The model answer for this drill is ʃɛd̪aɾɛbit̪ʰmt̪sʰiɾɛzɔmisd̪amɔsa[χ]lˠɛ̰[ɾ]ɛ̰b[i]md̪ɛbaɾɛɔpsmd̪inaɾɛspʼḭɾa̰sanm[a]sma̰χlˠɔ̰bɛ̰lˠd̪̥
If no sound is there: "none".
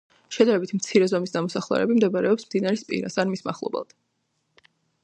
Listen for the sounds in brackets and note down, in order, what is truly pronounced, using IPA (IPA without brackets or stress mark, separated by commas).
χ, ɾ, i, i